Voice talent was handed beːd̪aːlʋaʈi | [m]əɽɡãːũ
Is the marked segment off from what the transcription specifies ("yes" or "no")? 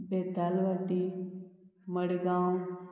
no